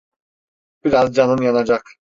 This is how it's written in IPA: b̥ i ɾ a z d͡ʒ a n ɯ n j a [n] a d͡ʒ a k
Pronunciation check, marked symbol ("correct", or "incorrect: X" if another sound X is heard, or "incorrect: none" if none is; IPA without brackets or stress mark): correct